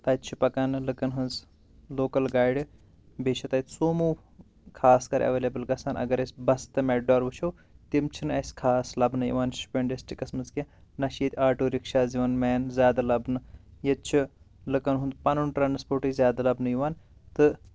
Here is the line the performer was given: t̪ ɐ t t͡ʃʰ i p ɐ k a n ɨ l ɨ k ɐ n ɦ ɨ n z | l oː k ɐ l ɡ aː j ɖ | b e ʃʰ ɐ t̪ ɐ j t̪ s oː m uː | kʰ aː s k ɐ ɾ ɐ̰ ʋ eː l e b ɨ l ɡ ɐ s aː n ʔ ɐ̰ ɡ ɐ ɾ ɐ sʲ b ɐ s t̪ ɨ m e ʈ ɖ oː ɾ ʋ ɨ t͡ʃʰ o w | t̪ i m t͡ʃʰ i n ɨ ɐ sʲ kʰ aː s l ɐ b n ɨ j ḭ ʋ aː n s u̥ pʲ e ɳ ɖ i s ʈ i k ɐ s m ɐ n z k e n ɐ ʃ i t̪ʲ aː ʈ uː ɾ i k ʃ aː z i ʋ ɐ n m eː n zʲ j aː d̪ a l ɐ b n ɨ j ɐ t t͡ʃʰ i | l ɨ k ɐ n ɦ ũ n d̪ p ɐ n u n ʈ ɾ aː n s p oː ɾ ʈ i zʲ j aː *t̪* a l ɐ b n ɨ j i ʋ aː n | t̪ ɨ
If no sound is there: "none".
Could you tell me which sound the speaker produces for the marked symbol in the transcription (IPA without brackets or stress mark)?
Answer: d̪